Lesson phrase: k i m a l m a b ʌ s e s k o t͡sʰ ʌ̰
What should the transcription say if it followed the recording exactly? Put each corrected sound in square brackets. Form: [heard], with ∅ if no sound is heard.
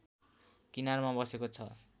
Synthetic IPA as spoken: k i [n] a [r] m a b ʌ s e [∅] k o t͡sʰ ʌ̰